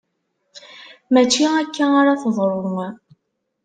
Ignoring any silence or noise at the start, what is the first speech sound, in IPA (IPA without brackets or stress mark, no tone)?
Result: m